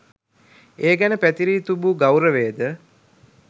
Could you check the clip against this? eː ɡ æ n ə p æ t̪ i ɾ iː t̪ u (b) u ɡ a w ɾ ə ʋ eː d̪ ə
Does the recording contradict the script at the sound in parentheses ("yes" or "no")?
no